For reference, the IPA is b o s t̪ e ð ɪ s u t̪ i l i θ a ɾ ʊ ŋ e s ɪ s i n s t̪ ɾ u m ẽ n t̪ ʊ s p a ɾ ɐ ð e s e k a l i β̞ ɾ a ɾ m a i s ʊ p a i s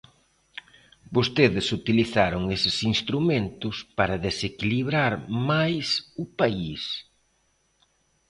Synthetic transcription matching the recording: b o s t̪ e ð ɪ s u t̪ i l i θ a ɾ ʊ ŋ e s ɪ s i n s t̪ ɾ u m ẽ n t̪ ʊ s p a ɾ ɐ ð e s e k i l i β̞ ɾ a ɾ m a j s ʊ p a i s